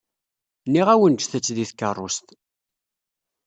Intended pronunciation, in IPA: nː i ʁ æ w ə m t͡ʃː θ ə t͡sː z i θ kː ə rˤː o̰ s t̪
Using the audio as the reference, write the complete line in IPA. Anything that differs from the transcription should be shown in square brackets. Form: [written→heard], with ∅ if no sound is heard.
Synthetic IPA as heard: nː i ʁ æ w ə [m→n] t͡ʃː θ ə t͡sː [z→ð] i θ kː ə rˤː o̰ s t̪